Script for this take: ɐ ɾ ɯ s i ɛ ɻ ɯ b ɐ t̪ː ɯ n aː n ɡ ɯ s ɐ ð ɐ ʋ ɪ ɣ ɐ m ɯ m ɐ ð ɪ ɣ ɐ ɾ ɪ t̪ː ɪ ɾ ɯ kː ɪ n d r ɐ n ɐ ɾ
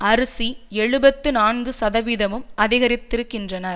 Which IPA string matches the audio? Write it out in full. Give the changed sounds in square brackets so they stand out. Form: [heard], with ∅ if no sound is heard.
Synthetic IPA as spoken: ɐ ɾ ɯ s i ɛ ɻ ɯ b ɐ t̪ː ɯ n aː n ɡ ɯ s ɐ ð ɐ ʋ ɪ [ð] ɐ m ɯ m ɐ ð ɪ ɣ ɐ ɾ ɪ t̪ː ɪ ɾ ɯ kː ɪ n d r ɐ n ɐ ɾ